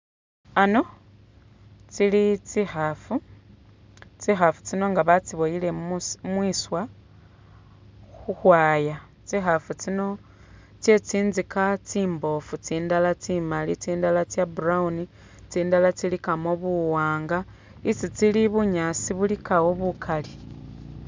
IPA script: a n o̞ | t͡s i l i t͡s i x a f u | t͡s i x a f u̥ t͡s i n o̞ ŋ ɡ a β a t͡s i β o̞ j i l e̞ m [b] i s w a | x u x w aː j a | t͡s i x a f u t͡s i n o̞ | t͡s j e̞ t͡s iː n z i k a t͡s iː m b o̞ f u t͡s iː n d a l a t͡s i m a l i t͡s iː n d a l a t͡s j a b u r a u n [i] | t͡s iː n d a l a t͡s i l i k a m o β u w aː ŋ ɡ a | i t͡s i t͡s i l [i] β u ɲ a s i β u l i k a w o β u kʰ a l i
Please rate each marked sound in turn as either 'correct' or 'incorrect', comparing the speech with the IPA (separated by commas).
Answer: incorrect, correct, correct